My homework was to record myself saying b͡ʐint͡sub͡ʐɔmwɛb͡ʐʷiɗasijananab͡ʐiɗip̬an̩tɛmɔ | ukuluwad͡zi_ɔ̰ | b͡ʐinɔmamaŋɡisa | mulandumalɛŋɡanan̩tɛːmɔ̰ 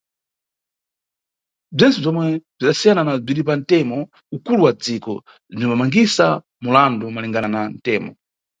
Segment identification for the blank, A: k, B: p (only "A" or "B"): A